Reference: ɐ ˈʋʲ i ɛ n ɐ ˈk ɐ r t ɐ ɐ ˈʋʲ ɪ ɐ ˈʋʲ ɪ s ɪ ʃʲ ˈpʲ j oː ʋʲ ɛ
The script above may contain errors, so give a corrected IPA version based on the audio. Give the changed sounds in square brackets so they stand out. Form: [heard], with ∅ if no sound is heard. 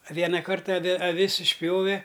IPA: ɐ ˈʋʲ i ɛ n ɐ ˈk ɐ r t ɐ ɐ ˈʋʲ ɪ ɐ ˈʋʲ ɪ s ɪ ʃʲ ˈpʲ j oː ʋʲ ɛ